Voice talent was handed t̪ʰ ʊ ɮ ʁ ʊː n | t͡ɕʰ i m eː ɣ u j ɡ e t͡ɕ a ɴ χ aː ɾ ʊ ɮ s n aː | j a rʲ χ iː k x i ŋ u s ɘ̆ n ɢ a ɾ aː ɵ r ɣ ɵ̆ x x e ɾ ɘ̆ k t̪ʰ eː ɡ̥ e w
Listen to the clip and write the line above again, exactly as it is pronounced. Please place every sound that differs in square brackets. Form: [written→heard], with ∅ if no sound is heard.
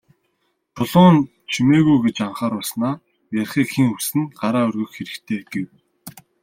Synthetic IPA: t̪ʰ ʊ ɮ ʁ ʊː n | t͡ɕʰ i m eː ɣ u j ɡ e t͡ɕ a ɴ χ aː ɾ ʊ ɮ s n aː | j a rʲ χ iː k x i ŋ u s ɘ̆ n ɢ a ɾ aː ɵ r ɣ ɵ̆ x x e ɾ ɘ̆ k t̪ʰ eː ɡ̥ e w